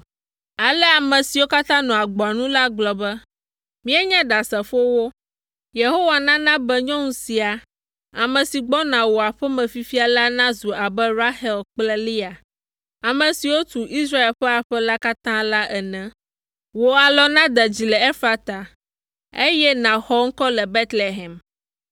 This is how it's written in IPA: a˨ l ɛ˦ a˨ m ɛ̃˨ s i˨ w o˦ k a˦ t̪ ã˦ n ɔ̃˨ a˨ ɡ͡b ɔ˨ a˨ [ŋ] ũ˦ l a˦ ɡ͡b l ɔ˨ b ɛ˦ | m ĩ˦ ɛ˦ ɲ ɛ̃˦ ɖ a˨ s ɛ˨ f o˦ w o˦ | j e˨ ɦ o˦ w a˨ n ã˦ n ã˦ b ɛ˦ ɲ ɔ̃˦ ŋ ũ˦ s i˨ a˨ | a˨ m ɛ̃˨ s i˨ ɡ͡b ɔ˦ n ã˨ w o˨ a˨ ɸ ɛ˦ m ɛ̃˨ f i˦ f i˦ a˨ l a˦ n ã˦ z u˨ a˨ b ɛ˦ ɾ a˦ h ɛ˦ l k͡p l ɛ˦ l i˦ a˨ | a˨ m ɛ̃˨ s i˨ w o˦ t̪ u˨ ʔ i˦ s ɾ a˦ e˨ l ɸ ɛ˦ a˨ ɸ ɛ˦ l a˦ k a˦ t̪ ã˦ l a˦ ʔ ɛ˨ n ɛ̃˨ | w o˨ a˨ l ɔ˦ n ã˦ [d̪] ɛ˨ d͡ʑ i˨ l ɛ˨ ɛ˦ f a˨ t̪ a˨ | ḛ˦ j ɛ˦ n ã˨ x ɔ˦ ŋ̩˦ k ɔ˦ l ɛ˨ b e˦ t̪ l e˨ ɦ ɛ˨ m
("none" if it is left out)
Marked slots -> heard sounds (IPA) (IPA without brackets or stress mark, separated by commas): n, d̪